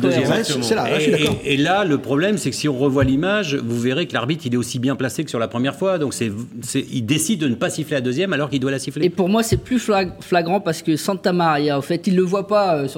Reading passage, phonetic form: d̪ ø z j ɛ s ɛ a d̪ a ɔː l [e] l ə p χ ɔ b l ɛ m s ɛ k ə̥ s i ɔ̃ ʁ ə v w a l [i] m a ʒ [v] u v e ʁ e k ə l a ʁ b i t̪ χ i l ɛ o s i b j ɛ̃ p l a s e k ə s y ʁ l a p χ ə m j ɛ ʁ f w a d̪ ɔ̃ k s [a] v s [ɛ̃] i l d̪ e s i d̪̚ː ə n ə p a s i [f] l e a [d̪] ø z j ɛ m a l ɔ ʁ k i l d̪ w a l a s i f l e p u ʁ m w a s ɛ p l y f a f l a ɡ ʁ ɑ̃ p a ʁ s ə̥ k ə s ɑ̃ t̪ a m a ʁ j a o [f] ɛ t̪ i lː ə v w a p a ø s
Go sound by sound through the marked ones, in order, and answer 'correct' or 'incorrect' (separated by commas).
incorrect, correct, correct, incorrect, incorrect, correct, correct, correct